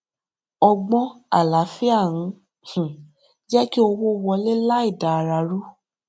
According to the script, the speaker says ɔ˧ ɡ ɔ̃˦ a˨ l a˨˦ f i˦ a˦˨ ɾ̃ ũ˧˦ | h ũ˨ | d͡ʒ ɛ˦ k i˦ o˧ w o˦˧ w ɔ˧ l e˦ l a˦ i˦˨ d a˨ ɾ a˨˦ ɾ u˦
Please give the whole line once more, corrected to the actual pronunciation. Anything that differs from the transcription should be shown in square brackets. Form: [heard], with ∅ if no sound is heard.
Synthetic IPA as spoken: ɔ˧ [ɡ͡b] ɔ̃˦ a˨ l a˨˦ f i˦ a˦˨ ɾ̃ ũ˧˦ | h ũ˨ | d͡ʒ ɛ˦ k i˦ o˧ w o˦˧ w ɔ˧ l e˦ l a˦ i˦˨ d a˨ ɾ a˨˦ ɾ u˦

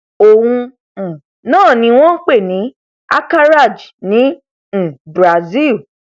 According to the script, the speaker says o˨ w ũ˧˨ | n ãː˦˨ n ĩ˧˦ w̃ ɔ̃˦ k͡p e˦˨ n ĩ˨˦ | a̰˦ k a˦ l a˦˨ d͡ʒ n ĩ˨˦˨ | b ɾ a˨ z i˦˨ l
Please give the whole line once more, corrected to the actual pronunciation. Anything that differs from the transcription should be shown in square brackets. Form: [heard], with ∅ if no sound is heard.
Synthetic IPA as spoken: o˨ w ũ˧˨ | n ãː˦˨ n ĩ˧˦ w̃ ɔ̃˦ k͡p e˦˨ n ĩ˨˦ | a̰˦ k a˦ [ɾ] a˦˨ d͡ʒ n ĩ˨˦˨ | b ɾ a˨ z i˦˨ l

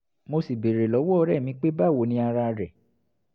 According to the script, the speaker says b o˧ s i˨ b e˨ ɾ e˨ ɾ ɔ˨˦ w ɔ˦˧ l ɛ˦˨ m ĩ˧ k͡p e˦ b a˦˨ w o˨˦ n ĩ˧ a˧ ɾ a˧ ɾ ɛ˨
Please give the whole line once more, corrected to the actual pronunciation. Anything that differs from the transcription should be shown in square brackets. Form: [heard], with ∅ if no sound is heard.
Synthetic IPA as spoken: [m] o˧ s i˨ b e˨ ɾ e˨ [l] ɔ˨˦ w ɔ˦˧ [ɾ] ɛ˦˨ m ĩ˧ k͡p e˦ b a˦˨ w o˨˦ n ĩ˧ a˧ ɾ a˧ ɾ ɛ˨

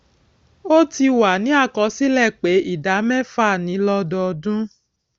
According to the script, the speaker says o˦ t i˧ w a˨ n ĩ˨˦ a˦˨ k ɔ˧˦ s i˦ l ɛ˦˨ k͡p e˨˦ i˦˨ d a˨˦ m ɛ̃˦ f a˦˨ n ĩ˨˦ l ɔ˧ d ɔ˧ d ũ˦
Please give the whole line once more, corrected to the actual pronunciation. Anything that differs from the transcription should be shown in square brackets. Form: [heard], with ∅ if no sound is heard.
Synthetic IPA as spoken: o˦ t i˧ w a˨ n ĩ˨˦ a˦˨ k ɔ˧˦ s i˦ l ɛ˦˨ k͡p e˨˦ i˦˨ d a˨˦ m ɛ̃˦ f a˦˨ n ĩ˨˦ l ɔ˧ d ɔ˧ d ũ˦

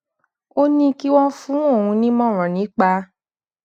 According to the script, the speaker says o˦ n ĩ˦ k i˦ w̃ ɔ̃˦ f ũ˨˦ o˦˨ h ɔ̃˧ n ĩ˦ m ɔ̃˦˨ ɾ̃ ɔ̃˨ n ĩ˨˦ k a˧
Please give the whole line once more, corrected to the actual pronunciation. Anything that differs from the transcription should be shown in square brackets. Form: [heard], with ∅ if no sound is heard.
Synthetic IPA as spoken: o˦ n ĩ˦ k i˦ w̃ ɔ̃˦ f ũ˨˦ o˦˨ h [ũ˧] n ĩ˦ m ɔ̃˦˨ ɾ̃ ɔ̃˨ n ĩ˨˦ [k͡p] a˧

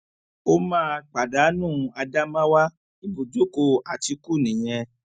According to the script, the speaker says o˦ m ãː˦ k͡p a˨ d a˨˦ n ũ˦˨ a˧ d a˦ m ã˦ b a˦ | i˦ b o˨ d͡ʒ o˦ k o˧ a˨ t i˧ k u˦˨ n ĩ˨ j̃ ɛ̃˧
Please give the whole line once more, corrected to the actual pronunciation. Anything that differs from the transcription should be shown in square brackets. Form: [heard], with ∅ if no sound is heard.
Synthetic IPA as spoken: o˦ m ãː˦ k͡p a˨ d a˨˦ n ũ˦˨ a˧ d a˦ m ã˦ [w] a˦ | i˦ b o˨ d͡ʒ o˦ k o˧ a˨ t i˧ k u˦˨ n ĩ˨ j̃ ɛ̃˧

